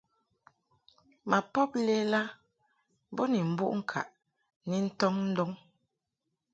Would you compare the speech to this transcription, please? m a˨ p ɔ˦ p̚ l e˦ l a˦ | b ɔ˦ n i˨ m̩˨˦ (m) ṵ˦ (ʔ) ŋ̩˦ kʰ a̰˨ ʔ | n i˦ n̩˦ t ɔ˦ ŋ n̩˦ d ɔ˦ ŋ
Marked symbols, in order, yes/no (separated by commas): no, yes